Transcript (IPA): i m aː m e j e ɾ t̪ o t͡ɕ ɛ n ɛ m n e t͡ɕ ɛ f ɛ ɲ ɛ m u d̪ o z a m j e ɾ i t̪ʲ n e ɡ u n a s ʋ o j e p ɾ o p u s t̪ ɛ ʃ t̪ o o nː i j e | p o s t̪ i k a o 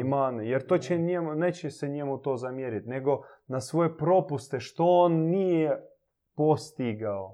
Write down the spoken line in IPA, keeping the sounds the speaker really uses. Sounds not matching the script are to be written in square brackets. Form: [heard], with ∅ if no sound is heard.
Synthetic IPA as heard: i m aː [n] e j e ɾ t̪ o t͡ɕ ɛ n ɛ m n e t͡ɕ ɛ [s] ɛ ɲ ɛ m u [t̪] o z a m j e ɾ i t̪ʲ n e ɡ [o] n a s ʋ o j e p ɾ o p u s t̪ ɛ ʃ t̪ o o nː i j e | p o s t̪ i [ɡ] a o